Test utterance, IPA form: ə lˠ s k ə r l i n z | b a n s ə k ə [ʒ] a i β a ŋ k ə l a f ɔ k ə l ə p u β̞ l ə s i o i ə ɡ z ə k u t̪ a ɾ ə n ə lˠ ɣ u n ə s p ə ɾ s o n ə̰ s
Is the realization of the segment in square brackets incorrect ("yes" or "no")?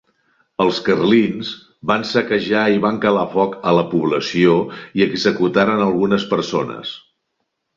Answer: no